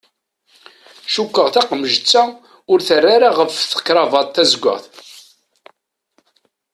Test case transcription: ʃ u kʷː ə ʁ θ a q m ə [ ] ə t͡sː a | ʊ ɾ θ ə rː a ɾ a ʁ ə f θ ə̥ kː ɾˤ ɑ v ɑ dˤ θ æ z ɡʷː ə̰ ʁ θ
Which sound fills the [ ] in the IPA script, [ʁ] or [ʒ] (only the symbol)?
ʒ